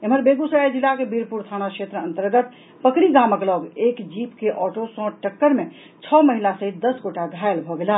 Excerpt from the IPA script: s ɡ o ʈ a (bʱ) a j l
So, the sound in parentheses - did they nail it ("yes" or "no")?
no